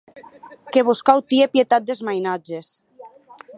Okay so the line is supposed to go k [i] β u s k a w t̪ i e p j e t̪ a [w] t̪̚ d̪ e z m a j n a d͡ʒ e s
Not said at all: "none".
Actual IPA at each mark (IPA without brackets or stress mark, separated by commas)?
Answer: e, none